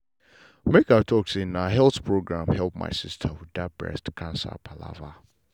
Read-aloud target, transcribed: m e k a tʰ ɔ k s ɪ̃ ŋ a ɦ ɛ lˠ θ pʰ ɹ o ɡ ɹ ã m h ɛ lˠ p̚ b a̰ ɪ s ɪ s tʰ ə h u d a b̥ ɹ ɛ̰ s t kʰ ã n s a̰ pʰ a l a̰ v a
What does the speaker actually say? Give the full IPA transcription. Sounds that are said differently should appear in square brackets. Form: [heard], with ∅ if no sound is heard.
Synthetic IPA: m e k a tʰ ɔ k s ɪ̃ [n] a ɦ ɛ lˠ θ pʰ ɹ o ɡ ɹ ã m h ɛ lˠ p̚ [m] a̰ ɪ s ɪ s tʰ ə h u d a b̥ ɹ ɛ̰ s t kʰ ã n s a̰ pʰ a l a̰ v a